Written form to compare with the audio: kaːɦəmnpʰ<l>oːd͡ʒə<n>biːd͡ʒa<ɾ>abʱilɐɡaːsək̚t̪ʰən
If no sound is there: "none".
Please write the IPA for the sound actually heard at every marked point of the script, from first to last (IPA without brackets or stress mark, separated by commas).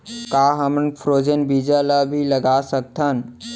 ɾ, n, l